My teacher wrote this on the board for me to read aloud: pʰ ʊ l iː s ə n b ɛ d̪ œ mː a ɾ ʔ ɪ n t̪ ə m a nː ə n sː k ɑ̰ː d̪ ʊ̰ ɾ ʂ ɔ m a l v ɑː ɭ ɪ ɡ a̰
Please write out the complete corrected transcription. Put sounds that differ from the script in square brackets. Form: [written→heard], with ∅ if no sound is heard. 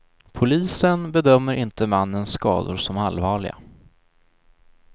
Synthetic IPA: pʰ ʊ l iː s ə n b ɛ d̪ œ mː [a→ə] ɾ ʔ ɪ n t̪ ə m a nː ə n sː k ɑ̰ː d̪ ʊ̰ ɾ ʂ ɔ m a l v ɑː ɭ ɪ ɡ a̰